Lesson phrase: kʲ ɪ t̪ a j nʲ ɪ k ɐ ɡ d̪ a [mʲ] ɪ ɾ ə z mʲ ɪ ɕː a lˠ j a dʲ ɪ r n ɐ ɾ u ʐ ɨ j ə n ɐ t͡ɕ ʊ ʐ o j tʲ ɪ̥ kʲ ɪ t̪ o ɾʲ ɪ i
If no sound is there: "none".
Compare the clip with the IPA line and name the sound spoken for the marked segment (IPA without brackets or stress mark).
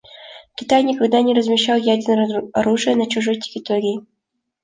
nʲ